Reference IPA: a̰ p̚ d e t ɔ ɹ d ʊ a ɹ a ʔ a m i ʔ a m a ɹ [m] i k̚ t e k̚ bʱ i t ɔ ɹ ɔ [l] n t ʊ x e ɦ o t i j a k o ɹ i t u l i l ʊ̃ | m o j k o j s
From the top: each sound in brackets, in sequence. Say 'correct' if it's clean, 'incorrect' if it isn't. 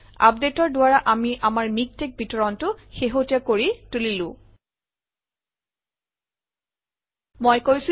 correct, incorrect: none

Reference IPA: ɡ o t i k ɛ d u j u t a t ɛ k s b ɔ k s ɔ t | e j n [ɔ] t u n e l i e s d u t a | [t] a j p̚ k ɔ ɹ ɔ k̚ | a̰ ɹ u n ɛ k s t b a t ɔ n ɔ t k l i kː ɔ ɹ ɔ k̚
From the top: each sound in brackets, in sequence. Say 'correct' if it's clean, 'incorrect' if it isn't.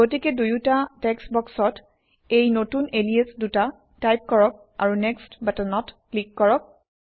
incorrect: o, correct

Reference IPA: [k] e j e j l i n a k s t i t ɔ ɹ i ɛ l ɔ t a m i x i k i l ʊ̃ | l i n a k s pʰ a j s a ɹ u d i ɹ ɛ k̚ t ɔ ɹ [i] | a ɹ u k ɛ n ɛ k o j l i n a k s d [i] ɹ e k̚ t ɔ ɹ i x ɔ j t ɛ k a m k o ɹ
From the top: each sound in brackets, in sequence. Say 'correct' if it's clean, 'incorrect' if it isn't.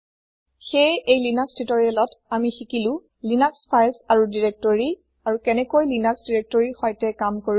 incorrect: x, correct, correct

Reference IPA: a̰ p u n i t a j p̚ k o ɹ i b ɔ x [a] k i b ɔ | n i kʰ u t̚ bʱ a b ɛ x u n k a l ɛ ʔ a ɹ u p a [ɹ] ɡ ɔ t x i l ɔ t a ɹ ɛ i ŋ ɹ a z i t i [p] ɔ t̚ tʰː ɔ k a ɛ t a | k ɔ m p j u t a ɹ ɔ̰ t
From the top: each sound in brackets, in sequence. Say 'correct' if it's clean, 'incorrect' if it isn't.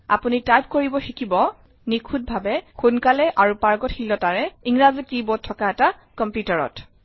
incorrect: i, correct, incorrect: b

